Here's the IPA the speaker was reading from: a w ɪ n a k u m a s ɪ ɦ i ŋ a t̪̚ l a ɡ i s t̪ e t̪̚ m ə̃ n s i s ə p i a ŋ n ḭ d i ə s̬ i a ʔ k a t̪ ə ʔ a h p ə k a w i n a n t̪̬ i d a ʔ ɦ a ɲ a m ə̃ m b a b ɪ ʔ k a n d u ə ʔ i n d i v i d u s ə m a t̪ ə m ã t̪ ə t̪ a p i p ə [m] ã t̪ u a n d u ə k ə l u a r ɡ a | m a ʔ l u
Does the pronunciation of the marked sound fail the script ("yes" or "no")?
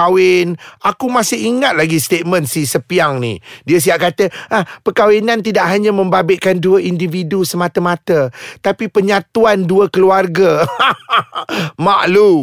yes